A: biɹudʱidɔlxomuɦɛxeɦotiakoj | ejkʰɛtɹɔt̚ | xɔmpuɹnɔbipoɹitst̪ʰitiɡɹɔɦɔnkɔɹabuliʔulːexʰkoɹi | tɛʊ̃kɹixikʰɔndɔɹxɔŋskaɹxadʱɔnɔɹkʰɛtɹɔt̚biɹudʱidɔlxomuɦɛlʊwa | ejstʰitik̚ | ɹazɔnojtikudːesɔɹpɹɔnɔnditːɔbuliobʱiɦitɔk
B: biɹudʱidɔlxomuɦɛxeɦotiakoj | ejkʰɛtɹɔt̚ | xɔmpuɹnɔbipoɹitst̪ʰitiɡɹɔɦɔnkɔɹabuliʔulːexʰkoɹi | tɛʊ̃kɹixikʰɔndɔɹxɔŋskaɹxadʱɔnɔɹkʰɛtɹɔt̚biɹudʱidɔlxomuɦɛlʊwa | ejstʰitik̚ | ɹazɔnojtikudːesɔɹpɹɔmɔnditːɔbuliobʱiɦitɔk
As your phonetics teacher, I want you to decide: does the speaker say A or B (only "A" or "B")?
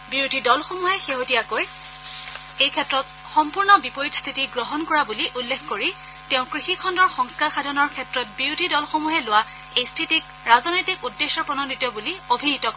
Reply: A